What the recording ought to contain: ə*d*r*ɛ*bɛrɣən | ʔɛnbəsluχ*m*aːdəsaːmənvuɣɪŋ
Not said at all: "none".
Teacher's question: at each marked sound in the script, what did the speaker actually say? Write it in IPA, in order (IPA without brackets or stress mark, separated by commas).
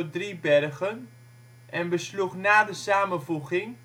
d, i, n